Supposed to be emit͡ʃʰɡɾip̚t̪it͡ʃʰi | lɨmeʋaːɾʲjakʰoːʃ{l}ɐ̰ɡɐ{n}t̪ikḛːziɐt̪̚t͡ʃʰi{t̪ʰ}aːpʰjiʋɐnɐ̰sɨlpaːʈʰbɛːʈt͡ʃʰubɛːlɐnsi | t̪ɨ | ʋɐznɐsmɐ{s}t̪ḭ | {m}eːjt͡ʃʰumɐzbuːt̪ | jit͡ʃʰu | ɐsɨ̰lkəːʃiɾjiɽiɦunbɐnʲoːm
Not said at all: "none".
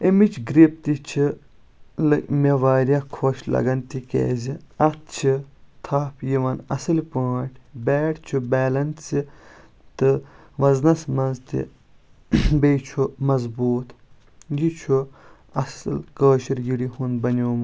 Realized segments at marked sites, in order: l, n, t̪ʰ, z, b

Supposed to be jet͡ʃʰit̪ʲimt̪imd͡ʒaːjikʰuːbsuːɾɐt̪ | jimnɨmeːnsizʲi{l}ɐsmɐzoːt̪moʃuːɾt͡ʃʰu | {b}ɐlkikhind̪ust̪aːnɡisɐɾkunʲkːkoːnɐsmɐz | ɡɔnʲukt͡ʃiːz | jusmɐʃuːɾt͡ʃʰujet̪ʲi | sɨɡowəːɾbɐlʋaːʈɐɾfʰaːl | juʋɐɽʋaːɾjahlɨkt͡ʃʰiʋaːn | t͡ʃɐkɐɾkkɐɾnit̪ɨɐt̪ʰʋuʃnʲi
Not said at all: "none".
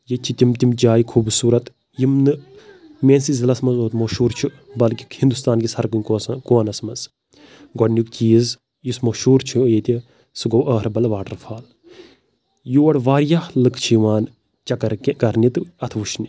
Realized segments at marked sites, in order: l, b

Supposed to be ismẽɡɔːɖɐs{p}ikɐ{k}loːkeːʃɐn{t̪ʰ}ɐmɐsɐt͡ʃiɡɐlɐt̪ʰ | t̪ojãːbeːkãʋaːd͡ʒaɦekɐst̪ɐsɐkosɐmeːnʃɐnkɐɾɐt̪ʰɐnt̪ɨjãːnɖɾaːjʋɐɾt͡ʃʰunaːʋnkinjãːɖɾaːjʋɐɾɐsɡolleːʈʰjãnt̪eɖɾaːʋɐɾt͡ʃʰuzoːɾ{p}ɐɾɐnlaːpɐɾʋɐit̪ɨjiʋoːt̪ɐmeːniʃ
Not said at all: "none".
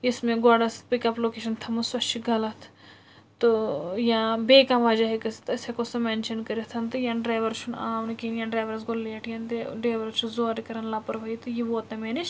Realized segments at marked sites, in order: p, p, t̪ʰ, k

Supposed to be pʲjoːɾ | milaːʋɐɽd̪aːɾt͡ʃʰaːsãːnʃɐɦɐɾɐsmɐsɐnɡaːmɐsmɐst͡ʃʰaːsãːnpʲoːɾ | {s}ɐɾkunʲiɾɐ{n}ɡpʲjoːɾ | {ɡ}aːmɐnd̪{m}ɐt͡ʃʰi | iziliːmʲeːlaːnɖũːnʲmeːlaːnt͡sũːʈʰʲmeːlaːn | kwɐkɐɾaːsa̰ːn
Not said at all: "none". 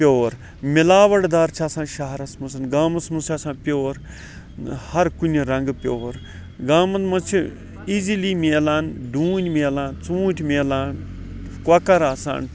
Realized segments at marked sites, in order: h, ŋ, ɡ, m

